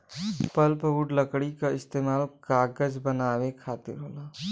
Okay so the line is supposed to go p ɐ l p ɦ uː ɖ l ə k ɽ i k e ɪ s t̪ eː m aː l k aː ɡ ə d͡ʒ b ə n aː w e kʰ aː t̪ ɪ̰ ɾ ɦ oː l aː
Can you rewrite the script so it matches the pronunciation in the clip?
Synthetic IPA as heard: p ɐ l p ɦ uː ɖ l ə k ɽ i k a ɪ s t̪ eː m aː l k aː ɡ ə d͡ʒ b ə n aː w e kʰ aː t̪ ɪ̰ ɾ ɦ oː l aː